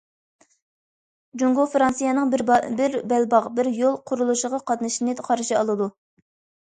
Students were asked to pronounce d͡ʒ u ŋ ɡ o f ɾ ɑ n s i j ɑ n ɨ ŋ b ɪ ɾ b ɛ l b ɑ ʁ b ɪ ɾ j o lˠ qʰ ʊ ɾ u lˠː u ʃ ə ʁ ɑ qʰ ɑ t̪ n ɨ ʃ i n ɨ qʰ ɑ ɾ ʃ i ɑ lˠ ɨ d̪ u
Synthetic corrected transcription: d͡ʒ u ŋ ɡ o f ɾ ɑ n s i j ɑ n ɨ ŋ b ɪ ɾ b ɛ l b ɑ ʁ b ɪ ɾ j o lˠ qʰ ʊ ɾ u lˠ u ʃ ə ʁ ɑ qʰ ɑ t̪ n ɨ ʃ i n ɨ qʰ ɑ ɾ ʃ i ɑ lˠ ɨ d̪ u

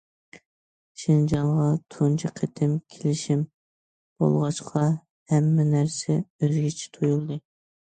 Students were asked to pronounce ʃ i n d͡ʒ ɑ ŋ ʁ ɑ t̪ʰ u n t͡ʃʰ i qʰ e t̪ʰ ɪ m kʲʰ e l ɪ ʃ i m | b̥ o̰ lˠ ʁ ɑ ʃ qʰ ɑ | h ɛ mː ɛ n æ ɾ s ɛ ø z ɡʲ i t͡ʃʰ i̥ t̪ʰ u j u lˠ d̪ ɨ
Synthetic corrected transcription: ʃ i n d͡ʒ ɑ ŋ ʁ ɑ t̪ʰ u n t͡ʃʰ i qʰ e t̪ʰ ɪ m kʲʰ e l ɪ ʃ i m | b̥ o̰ lˠ ʁ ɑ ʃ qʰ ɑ | h ɛ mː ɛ n æ ɾ s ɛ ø z ɡʲ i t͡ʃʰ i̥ t̪ʰ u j u lˠ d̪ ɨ

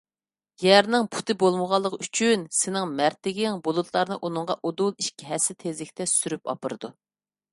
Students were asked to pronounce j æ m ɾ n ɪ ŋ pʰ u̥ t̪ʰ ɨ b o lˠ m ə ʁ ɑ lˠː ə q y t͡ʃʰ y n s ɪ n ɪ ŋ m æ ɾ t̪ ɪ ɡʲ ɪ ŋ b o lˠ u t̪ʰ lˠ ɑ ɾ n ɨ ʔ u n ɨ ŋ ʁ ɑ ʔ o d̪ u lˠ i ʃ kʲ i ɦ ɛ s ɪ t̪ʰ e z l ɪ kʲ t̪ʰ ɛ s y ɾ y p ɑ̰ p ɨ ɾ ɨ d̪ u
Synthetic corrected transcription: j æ ɾ n ɪ ŋ pʰ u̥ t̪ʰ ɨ b o lˠ m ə ʁ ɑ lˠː ə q y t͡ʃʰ y n s ɪ n ɪ ŋ m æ ɾ t̪ ɪ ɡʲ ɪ ŋ b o lˠ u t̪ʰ lˠ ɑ ɾ n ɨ ʔ u n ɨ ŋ ʁ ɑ ʔ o d̪ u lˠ i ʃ kʲ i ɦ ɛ s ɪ t̪ʰ e z l ɪ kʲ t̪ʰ ɛ s y ɾ y p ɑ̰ p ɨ ɾ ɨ d̪ u

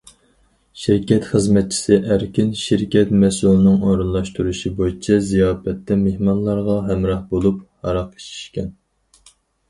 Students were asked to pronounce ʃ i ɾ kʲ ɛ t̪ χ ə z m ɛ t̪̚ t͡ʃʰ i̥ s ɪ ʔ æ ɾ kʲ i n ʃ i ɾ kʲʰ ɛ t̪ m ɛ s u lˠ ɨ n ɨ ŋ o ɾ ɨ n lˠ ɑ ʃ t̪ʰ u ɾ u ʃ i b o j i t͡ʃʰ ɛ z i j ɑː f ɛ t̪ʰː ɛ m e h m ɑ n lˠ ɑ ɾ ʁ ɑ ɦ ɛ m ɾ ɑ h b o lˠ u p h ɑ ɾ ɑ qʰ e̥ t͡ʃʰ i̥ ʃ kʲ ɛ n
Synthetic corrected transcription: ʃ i ɾ kʲ ɛ t̪ χ ə z m ɛ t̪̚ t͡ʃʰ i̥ s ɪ ʔ æ ɾ kʲ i n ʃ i ɾ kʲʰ ɛ t̪ m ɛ s u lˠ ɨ n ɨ ŋ o ɾ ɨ n lˠ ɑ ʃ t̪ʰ u ɾ u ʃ i b o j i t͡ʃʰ ɛ z i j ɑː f ɛ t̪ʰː ɛ m e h m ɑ n lˠ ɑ ɾ ʁ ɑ ɦ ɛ m ɾ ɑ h b o lˠ u p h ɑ ɾ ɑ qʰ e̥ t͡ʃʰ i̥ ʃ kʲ ɛ n

